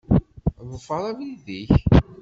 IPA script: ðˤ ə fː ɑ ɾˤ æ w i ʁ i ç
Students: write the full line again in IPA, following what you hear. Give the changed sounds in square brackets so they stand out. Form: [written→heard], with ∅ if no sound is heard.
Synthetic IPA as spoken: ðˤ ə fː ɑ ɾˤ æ [w→v] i [ʁ→ð] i ç